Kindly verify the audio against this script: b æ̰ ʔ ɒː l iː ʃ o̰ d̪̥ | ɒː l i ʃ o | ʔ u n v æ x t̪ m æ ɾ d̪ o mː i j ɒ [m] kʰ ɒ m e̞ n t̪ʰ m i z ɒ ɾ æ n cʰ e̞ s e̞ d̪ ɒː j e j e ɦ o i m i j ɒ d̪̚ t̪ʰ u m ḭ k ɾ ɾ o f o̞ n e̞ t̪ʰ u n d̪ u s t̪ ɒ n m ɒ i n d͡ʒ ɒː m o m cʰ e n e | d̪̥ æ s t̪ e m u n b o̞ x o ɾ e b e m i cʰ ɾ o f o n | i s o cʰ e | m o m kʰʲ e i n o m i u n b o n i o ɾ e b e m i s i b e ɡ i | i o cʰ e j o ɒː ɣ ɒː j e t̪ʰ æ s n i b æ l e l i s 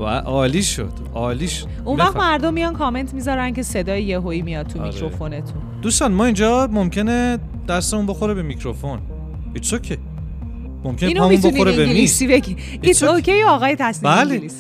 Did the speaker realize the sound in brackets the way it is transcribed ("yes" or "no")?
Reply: no